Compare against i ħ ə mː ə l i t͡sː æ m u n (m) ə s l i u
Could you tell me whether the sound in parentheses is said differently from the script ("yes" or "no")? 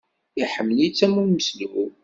no